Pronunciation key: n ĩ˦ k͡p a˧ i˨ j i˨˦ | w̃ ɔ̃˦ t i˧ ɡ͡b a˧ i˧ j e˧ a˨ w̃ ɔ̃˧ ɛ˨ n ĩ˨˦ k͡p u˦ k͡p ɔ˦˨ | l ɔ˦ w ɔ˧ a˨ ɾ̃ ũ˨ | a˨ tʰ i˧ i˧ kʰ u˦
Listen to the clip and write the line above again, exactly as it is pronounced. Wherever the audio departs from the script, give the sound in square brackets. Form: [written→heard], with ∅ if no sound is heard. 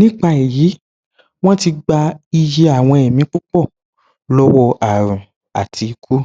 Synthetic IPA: n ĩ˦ k͡p a˧ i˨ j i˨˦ | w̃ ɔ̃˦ t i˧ ɡ͡b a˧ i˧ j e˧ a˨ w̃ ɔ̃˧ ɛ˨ [n→m] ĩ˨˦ k͡p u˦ k͡p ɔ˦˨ | l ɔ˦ w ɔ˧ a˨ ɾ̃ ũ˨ | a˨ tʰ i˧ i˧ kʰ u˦

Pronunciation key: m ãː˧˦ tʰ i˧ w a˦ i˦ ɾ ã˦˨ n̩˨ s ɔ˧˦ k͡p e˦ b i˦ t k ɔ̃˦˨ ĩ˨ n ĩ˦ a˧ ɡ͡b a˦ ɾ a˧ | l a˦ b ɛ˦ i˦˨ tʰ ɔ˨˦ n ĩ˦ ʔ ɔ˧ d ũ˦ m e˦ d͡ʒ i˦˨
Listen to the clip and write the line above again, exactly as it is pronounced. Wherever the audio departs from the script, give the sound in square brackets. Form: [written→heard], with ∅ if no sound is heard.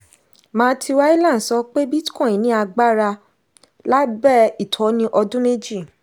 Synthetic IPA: m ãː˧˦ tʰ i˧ w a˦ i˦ [ɾ→l] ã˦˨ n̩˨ s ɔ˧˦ k͡p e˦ b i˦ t k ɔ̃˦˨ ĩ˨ n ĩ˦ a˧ ɡ͡b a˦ ɾ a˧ | l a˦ b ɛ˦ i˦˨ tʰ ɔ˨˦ n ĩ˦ ʔ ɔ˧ d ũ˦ m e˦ d͡ʒ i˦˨

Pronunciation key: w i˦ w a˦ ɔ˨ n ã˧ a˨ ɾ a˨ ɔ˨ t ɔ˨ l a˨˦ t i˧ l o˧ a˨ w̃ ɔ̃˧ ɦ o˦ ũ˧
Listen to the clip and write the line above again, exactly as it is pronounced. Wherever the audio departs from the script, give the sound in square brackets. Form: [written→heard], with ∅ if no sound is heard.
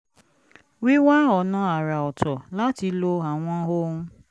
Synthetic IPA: w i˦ w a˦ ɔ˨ n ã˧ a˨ ɾ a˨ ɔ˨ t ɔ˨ l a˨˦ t i˧ l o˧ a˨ w̃ ɔ̃˧ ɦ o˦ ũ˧

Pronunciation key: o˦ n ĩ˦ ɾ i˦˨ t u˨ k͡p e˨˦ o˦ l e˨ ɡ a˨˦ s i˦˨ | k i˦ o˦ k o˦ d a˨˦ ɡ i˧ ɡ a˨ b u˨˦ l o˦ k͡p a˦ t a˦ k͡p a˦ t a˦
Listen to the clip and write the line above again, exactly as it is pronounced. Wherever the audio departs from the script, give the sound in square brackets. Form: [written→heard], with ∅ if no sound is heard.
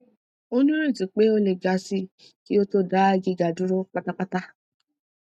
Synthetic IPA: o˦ n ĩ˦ ɾ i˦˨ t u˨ k͡p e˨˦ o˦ l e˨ ɡ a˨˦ s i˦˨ | k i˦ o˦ [k→t] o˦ d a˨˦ ɡ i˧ ɡ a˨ [b→d] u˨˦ [l→ɾ] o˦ k͡p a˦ t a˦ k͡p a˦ t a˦

